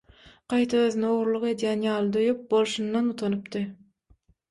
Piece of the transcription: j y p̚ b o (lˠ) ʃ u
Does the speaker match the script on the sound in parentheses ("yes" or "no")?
yes